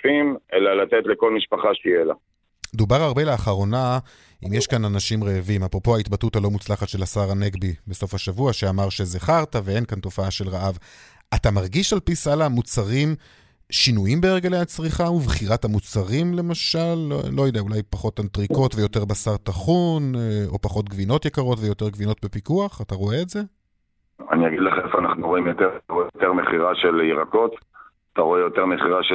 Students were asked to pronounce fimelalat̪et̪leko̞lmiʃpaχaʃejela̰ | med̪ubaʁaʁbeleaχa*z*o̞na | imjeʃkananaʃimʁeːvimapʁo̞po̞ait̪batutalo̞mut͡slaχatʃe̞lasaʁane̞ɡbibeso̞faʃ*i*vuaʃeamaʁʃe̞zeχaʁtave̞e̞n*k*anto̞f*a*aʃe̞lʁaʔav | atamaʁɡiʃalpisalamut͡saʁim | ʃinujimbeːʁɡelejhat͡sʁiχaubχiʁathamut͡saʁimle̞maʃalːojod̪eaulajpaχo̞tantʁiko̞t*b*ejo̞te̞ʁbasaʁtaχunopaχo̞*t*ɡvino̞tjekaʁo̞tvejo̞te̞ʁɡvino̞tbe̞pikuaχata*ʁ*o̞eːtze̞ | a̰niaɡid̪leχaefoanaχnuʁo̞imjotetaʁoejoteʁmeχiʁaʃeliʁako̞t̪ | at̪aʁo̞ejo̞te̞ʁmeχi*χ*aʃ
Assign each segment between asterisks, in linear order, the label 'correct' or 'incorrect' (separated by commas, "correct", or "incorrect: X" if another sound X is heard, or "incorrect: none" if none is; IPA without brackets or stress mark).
incorrect: ʁ, incorrect: a, correct, correct, incorrect: v, correct, correct, incorrect: ʁ